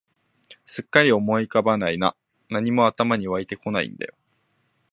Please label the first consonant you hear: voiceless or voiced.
voiceless